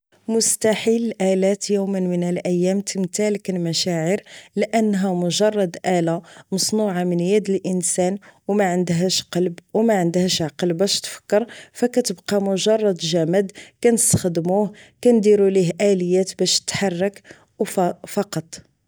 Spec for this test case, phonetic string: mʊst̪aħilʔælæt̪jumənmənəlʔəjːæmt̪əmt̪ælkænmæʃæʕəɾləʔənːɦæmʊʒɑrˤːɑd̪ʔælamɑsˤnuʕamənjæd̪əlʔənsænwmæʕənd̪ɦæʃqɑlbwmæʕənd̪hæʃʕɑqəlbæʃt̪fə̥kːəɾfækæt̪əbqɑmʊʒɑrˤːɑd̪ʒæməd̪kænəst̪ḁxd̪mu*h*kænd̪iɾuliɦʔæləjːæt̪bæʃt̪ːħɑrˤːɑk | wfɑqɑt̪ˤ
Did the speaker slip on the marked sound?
no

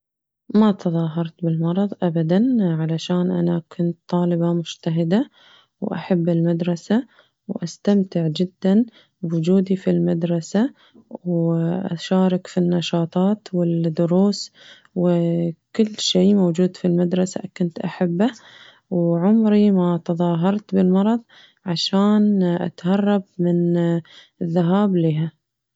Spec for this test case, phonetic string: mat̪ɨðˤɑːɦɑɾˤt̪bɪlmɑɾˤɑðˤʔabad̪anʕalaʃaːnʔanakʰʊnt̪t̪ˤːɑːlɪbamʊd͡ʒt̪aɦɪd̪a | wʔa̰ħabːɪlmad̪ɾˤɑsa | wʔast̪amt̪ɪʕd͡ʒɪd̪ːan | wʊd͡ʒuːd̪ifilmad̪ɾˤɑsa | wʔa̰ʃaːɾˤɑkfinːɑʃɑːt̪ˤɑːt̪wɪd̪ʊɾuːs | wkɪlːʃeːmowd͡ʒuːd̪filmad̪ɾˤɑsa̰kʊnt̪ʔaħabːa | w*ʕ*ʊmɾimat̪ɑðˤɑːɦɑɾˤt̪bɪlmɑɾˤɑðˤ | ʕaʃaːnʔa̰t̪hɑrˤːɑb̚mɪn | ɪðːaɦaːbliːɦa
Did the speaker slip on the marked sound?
no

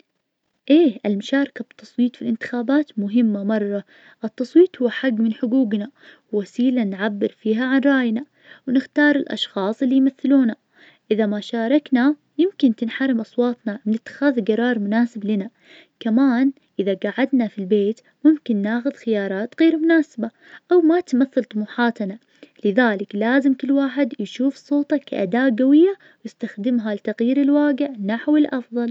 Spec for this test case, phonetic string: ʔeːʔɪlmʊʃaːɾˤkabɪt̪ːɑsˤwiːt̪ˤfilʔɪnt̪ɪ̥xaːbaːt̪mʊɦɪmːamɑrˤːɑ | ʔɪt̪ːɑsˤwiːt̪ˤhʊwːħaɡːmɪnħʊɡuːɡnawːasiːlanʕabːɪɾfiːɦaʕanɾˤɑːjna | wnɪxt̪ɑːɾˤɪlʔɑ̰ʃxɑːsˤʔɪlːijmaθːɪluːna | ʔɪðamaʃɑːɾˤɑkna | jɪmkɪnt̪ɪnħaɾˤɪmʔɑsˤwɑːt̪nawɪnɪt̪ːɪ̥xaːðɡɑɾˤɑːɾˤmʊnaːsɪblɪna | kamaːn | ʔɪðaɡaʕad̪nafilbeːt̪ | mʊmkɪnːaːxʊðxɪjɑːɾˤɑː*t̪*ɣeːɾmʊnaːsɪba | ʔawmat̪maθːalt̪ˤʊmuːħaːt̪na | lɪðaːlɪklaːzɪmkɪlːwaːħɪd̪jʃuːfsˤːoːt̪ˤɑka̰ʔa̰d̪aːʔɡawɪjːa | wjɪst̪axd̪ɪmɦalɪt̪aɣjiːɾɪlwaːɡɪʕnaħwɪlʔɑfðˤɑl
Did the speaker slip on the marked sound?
no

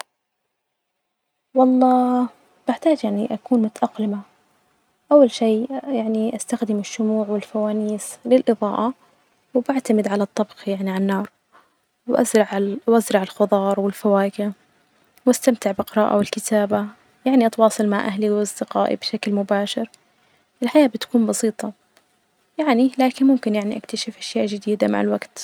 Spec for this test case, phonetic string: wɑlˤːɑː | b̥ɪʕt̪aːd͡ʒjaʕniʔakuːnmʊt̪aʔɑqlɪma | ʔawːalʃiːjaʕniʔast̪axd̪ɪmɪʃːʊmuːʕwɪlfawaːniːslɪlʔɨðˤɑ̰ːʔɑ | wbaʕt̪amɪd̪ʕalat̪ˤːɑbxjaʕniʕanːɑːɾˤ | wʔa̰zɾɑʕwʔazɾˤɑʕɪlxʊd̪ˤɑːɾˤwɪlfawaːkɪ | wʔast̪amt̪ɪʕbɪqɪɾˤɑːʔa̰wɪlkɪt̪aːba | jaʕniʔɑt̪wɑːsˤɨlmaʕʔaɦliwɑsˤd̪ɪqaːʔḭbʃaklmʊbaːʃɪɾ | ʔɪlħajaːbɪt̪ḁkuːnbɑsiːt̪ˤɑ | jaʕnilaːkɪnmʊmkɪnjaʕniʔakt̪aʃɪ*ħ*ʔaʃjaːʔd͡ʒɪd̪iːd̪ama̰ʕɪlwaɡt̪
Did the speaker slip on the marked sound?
yes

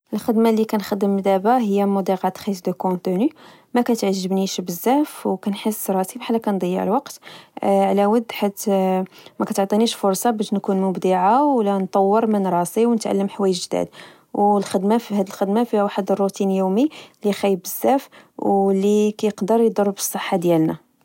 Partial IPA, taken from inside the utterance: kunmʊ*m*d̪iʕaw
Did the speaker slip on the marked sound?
yes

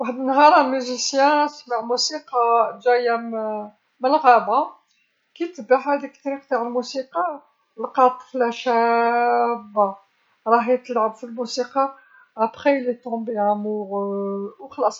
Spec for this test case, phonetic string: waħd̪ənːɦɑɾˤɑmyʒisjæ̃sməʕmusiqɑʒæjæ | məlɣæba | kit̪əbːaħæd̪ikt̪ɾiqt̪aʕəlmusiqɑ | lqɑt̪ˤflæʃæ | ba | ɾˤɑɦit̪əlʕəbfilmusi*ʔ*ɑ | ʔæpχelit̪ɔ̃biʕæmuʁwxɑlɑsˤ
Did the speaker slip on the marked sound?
yes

